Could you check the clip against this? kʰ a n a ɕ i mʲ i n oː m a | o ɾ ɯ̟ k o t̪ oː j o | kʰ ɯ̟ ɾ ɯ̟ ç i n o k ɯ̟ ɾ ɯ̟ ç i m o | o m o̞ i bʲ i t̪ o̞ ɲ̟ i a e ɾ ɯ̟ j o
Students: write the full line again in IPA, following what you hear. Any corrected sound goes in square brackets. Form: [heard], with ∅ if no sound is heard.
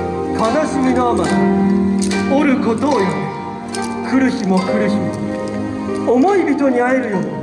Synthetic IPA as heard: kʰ a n a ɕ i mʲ i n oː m a | o ɾ ɯ̟ k o t̪ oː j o | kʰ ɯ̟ ɾ ɯ̟ ç i [m] o k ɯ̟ ɾ ɯ̟ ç i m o | o m o̞ i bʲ i t̪ o̞ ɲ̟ i a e ɾ ɯ̟ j o